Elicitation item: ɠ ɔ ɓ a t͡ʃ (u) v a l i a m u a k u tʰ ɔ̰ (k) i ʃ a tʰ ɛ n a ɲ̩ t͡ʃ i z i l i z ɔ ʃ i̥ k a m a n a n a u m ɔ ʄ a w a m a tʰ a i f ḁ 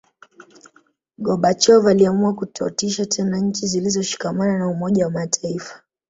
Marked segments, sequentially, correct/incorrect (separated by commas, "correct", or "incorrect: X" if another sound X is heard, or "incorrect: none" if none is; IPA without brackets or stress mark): incorrect: ɔ, incorrect: t